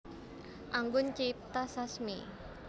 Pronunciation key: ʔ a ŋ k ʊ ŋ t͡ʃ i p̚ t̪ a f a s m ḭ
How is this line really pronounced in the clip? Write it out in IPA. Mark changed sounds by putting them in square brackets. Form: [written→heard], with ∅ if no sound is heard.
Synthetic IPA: ʔ a ŋ [k→ɡ] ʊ [ŋ→n] t͡ʃ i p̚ t̪ a [f→s] a s m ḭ